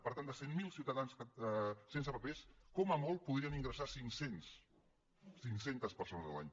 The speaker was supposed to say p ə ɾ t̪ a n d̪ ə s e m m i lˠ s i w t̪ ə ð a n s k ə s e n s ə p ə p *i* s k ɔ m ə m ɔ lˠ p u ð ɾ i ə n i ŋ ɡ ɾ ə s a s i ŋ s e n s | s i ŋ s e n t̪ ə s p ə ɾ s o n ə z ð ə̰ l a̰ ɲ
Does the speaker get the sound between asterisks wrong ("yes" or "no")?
yes